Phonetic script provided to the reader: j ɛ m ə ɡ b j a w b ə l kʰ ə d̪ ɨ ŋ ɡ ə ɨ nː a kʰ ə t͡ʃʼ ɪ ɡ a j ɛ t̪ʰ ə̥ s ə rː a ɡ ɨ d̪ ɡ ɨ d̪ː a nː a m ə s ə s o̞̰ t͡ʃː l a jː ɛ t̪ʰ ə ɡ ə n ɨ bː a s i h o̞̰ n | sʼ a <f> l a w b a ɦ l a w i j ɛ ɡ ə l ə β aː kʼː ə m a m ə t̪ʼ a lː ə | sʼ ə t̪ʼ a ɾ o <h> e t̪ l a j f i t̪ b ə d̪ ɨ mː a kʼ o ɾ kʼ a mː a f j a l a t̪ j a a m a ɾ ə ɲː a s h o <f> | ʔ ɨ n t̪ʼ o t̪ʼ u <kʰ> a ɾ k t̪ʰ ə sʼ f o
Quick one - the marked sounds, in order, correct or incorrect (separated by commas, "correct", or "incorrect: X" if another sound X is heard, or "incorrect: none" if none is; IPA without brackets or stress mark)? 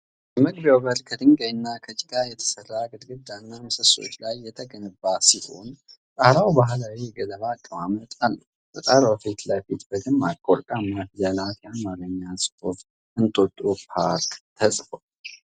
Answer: incorrect: h, incorrect: f, correct, incorrect: pʰ